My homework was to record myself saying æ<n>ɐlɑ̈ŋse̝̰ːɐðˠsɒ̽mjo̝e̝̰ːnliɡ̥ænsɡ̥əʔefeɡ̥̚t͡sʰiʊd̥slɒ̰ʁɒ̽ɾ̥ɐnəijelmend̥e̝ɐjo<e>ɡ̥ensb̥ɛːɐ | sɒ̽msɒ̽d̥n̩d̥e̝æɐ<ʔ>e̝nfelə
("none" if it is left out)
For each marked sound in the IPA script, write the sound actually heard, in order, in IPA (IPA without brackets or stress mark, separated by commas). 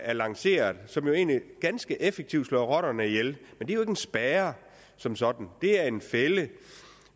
none, e, none